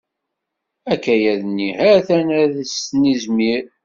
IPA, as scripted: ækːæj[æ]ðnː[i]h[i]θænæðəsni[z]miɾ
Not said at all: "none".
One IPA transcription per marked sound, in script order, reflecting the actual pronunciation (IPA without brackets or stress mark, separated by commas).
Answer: æ, i, æ, z